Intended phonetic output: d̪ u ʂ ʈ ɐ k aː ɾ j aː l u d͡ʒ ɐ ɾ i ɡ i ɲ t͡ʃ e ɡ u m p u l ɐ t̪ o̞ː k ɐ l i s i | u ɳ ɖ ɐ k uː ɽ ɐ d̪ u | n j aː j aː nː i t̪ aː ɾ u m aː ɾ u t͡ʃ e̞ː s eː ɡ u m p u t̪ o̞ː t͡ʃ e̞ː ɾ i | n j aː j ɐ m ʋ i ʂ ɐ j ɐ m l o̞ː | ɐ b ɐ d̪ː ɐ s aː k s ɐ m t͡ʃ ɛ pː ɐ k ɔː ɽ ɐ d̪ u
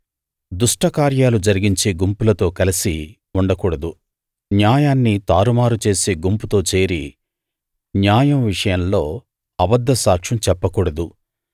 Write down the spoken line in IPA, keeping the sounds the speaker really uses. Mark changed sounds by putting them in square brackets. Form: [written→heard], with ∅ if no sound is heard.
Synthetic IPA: d̪ u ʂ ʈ ɐ k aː ɾ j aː l u d͡ʒ ɐ ɾ i ɡ i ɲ t͡ʃ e ɡ u m p u l ɐ t̪ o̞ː k ɐ l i s i | u ɳ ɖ ɐ k uː ɽ ɐ d̪ u | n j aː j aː nː i t̪ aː ɾ u m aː ɾ u t͡ʃ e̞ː s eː ɡ u m p u t̪ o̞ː t͡ʃ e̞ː ɾ i | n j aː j ɐ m ʋ i ʂ ɐ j ɐ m l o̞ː | ɐ b ɐ d̪ː ɐ s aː k [s→ʂ] ɐ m t͡ʃ ɛ pː ɐ k [ɔː→uː] ɽ ɐ d̪ u